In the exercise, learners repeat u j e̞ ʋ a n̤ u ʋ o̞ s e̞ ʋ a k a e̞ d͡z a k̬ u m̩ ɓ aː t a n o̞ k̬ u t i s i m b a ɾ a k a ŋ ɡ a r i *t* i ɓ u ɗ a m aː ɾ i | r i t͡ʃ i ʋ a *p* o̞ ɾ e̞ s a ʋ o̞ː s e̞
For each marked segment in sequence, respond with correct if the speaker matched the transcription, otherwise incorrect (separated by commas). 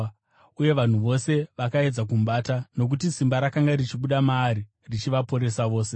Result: incorrect, correct